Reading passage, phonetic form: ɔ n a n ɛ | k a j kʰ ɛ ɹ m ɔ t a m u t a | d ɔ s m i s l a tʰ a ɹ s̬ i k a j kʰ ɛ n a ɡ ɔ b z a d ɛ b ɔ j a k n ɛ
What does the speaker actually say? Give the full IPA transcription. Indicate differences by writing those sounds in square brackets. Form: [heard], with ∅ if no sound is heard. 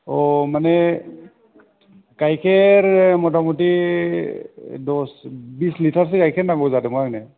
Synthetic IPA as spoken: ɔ [m] a n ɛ | k a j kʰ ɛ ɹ m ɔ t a m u t [i] | d ɔ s [b] i s l [i] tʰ a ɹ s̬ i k a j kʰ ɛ n a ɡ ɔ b z a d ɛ [m] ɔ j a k n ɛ